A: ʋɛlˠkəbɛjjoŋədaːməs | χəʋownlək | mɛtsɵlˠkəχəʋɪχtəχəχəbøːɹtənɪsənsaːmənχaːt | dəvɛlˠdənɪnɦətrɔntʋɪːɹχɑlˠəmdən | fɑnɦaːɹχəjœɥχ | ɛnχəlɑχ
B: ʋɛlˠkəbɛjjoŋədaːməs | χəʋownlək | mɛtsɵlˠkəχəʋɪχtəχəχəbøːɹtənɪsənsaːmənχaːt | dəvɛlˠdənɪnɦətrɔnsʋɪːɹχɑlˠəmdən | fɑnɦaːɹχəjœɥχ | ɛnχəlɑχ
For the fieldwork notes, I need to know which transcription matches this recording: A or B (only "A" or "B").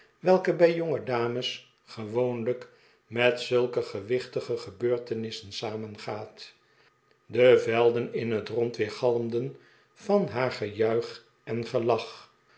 A